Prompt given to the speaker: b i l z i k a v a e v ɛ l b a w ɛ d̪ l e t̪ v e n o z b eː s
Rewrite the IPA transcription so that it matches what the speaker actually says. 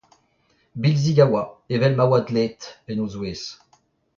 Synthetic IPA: b i l z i ɡ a w a e v ɛ l m a w a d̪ l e t̪ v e n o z w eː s